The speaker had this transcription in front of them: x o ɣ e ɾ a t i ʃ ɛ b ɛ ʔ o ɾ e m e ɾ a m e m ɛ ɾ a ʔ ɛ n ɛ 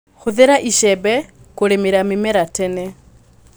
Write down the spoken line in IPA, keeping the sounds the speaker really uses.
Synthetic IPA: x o ð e ɾ a ʔ i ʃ ɛ b ɛ k o ɾ e m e ɾ a m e m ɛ ɾ a t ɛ n ɛ